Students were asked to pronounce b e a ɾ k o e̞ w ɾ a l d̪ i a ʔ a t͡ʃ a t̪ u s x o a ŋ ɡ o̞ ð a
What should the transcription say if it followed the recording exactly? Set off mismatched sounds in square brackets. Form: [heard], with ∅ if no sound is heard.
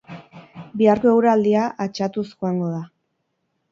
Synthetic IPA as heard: b [i] a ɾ k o e̞ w ɾ a l d̪ i a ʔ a t͡ʃ a t̪ u s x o a ŋ ɡ o̞ ð a

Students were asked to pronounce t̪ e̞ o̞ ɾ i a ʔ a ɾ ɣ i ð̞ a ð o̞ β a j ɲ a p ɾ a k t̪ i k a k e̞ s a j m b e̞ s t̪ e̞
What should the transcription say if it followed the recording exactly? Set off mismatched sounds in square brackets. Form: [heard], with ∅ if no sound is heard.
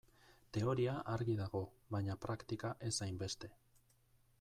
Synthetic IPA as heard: t̪ e̞ o̞ ɾ i a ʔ a ɾ ɣ i ð̞ a [ɣ] o̞ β a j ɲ a p ɾ a k t̪ i k a [ʔ] e̞ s a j m b e̞ s t̪ e̞

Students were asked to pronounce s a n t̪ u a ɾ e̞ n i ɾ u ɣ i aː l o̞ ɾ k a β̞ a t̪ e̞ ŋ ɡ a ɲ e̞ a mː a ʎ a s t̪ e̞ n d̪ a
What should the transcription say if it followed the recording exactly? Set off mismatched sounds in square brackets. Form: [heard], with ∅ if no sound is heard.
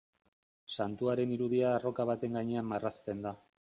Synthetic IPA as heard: s a n t̪ u a ɾ e̞ n i ɾ u [ð] i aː [r] o̞ [∅] k a β̞ a t̪ e̞ ŋ ɡ a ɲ e̞ a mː a [r] a s t̪ e̞ n d̪ a

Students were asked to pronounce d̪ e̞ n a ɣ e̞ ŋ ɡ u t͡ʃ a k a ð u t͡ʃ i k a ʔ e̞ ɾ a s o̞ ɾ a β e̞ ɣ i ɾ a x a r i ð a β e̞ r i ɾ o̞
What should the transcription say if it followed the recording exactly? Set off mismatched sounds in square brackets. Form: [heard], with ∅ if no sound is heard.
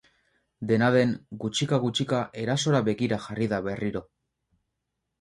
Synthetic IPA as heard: d̪ e̞ n a [ð] e̞ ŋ ɡ u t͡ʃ [i] k a [ɣ] u t͡ʃ i k a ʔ e̞ ɾ a s o̞ ɾ a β e̞ ɣ i ɾ a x a r i ð a β e̞ r i ɾ o̞

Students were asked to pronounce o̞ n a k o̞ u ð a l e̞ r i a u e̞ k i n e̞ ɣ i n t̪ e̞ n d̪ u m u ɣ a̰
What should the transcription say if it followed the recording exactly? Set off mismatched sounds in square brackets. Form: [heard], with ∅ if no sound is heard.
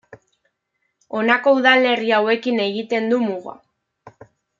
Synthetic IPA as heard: o̞ n a k o̞ u ð a l e̞ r i a [w] e̞ k i n e̞ ɣ i [∅] t̪ e̞ n d̪ u m u ɣ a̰

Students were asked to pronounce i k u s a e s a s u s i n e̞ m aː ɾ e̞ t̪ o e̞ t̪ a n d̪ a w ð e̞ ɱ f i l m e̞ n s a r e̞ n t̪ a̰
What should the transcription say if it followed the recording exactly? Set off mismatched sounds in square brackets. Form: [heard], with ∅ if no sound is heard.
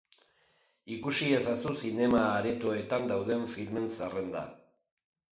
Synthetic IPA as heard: i k u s [i] e s a s u s i n e̞ m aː ɾ e̞ t̪ o e̞ t̪ a n d̪ a w ð e̞ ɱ f i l m e̞ n s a r e̞ n [d̪] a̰

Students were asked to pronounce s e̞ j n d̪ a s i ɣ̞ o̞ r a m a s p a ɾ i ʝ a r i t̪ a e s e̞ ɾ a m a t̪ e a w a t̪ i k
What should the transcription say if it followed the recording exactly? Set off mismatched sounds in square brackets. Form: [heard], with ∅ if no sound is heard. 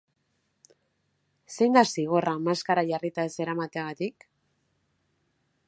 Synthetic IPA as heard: s e̞ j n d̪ a s i ɣ̞ o̞ r a m a s [k] a ɾ [a] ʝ a r i t̪ a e s e̞ ɾ a m a t̪ e a [ɣ] a t̪ i k

